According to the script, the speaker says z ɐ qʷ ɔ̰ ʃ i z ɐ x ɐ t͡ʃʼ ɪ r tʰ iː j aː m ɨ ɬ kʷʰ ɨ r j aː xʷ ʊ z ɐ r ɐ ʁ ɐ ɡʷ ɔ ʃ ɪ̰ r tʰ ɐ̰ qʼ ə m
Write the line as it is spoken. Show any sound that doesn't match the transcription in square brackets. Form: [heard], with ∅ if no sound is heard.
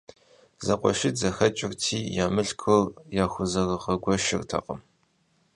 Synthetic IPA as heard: z ɐ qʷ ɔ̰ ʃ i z ɐ x ɐ t͡ʃʼ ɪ r tʰ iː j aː m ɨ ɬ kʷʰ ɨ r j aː xʷ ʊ z ɐ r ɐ ʁ ɐ ɡʷ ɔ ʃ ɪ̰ r tʰ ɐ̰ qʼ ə m